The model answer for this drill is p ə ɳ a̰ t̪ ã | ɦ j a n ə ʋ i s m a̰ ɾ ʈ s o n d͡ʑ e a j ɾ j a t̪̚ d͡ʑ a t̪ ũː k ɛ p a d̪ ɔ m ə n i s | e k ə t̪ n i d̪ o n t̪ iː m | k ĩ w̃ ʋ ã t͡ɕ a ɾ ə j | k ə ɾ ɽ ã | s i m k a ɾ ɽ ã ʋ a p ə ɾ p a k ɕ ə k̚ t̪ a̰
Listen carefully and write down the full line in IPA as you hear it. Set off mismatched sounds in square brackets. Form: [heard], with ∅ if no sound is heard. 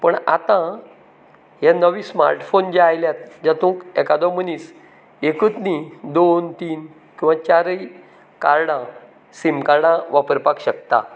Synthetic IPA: p ə ɳ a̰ t̪ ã | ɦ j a n ə ʋ i s m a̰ ɾ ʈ [f] o n d͡ʑ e a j [l] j a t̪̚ d͡ʑ a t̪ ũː k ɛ [k] a d̪ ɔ m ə n i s | e k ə t̪ n i d̪ o n t̪ iː [n] | k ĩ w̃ ʋ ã t͡ɕ a ɾ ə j | k [a] ɾ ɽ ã | s i m k a ɾ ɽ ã ʋ a p ə ɾ p a k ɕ ə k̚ t̪ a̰